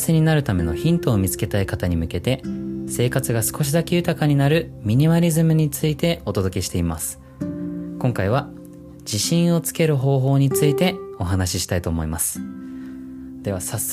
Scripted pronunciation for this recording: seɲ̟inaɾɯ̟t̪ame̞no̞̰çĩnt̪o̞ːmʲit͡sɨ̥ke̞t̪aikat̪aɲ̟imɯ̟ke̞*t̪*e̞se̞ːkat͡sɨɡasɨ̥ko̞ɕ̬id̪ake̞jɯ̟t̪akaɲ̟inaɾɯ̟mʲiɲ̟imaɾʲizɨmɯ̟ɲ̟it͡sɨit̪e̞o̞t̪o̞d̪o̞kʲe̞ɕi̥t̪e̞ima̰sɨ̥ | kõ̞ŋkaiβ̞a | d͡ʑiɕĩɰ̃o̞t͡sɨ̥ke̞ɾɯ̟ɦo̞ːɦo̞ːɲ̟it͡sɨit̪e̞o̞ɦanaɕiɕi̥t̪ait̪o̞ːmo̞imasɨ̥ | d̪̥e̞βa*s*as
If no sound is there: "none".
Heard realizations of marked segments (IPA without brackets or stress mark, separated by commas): t̪, s